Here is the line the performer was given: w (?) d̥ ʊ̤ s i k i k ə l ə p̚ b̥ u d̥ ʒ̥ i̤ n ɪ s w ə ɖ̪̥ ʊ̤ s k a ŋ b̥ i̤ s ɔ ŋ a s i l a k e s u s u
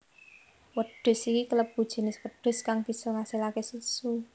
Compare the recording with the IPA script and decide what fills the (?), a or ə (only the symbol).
ə